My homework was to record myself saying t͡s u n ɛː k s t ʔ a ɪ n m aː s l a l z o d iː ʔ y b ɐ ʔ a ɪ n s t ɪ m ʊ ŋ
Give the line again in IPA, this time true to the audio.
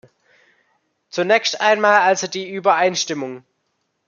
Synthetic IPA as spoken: t͡s u n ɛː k s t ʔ a ɪ n m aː l a l z o d iː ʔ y b ɐ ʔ a ɪ n ʃ t ɪ m ʊ ŋ

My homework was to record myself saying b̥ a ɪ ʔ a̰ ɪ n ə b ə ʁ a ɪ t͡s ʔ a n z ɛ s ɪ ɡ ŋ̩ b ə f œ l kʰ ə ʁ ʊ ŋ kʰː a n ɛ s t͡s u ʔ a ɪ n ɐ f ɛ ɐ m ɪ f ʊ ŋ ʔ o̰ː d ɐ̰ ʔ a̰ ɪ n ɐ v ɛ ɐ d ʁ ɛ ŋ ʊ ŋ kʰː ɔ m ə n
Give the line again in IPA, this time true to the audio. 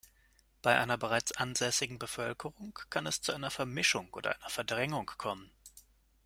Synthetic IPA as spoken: b̥ a ɪ ʔ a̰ ɪ n ɐ b ə ʁ a ɪ t͡s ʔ a n z ɛ s ɪ ɡ ŋ̩ b ə f œ l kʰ ə ʁ ʊ ŋ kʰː a n ɛ s t͡s u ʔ a ɪ n ɐ f ɛ ɐ m ɪ ʃ ʊ ŋ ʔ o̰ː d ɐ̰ ʔ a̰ ɪ n ɐ f ɛ ɐ d ʁ ɛ ŋ ʊ ŋ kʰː ɔ m ə n

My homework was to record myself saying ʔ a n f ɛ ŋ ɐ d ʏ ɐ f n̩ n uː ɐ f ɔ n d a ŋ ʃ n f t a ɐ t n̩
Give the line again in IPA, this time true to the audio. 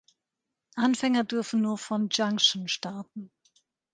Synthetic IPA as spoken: ʔ a n f ɛ ŋ ɐ d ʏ ɐ f n̩ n uː ɐ f ɔ n d͡ʒ a ŋ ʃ n ʃ t a ɐ t n̩

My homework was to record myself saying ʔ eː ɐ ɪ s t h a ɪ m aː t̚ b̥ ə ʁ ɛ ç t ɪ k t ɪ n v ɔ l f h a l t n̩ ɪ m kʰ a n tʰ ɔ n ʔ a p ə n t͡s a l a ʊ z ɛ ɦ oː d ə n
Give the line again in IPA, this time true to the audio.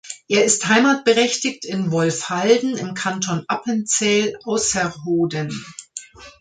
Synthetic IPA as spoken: ʔ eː ɐ ɪ s t h a ɪ m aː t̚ b̥ ə ʁ ɛ ç t ɪ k t ɪ n v ɔ l f h a l d n̩ ɪ m kʰ a n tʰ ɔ n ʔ a p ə n t͡s ɛ l a ʊ s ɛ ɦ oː d ə n

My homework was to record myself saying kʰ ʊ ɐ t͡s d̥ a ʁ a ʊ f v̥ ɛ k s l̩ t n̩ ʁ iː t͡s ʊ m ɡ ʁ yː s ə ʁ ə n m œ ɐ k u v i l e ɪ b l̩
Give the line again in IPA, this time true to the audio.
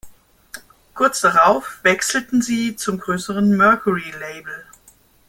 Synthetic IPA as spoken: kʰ ʊ ɐ t͡s d̥ a ʁ a ʊ f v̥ ɛ k s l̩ t n̩ z iː t͡s ʊ m ɡ ʁ øː s ə ʁ ə n m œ ɐ k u ʁ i l e ɪ b l̩

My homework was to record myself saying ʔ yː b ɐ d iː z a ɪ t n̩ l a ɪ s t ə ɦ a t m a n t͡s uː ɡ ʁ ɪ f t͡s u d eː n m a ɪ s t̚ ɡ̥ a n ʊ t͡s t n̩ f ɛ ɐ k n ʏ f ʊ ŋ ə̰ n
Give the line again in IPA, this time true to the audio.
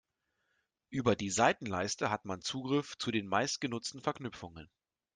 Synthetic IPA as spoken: ʔ yː b ɐ d iː z a ɪ t n̩ l a ɪ s t ə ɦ a t m a n t͡s uː ɡ ʁ ɪ f t͡s u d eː n m a ɪ s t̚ ɡ̥ ə n ʊ t͡s t n̩ f ɛ ɐ k n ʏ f ʊ ŋ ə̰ n

